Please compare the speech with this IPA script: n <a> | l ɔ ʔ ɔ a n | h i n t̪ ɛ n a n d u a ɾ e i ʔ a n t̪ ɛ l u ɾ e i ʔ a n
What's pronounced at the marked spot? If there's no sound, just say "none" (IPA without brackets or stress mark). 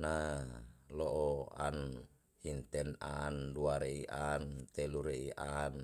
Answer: a